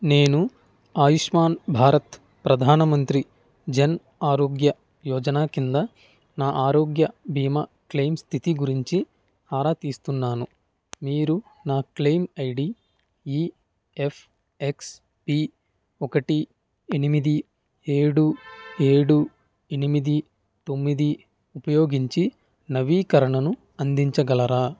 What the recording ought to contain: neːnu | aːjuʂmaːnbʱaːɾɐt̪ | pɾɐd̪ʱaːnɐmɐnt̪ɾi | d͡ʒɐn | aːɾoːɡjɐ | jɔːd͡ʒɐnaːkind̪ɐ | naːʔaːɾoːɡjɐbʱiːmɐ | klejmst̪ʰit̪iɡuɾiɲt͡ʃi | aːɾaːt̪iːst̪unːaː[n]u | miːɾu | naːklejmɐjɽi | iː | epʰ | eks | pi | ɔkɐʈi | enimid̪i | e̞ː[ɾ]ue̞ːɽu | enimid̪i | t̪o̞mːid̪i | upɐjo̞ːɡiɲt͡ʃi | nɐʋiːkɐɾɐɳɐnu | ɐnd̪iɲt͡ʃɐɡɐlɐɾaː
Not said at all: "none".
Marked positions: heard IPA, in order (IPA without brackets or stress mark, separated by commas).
n, ɽ